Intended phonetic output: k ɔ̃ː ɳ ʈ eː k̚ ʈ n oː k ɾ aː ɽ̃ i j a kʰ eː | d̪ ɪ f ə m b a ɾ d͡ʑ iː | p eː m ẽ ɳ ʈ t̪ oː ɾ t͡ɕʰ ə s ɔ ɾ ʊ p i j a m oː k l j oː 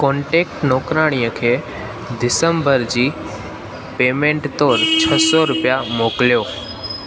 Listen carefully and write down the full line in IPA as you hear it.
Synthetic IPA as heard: k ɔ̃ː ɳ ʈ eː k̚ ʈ n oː k ɾ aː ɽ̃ i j ə kʰ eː | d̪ ɪ s ə m b ə ɾ d͡ʑ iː | p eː m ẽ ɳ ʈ t̪ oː ɾ t͡ɕʰ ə s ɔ ɾ ʊ p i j a m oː k l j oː